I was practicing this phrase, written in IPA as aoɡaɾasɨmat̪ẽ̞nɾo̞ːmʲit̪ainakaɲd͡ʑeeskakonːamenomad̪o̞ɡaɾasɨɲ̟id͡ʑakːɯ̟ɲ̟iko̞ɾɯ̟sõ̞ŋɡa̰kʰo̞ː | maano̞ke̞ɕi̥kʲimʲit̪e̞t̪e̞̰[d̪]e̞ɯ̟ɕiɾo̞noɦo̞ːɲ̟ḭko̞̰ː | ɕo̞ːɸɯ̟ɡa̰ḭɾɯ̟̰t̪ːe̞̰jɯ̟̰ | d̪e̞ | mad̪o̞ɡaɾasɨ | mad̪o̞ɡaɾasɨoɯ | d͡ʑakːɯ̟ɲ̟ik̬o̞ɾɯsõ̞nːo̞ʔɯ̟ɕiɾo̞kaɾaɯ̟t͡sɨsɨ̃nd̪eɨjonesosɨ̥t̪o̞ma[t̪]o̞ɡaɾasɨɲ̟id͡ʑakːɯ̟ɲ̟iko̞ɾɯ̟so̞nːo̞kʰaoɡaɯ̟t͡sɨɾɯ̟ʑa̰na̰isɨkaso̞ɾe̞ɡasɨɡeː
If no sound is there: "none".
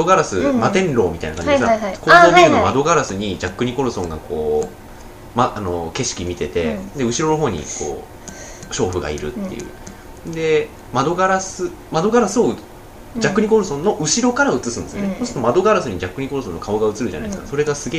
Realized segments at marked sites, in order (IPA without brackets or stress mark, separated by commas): d̪, d̪